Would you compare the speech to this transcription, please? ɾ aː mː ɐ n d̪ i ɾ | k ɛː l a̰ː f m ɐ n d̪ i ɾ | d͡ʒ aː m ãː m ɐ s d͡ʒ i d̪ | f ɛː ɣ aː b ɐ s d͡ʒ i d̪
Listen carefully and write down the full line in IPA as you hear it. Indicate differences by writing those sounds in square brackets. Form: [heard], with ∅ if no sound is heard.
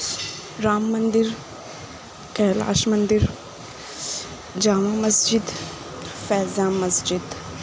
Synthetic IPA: ɾ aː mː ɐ n d̪ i ɾ | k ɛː l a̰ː [ʃ] m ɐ n d̪ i ɾ | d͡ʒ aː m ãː m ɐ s d͡ʒ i d̪ | f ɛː [z] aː [m] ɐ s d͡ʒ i d̪